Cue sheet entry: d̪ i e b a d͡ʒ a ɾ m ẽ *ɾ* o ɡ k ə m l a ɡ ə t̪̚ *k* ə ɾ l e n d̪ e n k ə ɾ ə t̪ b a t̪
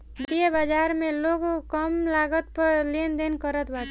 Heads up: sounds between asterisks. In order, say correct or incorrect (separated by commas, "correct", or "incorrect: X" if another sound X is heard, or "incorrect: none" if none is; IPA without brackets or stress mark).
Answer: incorrect: l, incorrect: p